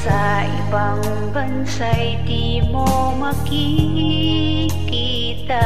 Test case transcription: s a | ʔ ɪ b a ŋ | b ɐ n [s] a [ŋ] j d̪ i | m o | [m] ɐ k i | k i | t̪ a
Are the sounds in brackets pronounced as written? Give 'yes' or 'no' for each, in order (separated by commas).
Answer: yes, no, yes